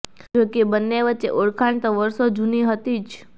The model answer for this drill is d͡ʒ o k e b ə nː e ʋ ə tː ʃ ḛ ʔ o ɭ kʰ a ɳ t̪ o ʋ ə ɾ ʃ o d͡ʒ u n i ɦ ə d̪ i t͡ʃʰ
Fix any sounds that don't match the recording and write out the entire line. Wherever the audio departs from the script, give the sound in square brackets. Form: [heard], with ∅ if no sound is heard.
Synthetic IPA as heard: d͡ʒ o k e b ə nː e ʋ ə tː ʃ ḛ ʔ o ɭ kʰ a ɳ t̪ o ʋ ə ɾ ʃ o d͡ʒ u n i ɦ ə [t̪] i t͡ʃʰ